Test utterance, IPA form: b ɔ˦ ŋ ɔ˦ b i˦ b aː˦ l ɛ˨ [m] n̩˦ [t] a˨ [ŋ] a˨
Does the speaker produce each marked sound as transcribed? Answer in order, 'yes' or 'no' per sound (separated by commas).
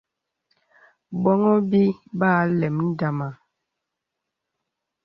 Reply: yes, no, no